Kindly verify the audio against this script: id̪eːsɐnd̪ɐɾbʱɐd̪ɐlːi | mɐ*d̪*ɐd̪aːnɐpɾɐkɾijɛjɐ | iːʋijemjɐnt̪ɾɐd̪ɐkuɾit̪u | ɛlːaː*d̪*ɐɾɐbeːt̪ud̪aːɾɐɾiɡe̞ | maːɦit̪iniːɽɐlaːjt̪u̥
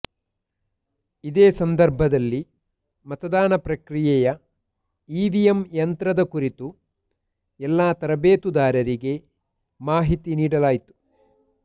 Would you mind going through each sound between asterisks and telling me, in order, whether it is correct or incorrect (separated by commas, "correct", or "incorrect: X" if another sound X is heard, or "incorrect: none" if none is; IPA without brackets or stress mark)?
incorrect: t̪, incorrect: t̪